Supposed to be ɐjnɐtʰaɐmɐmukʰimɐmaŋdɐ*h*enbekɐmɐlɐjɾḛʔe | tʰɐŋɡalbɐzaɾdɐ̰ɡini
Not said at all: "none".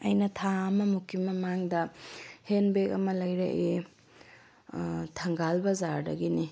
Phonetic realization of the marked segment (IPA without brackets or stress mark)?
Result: h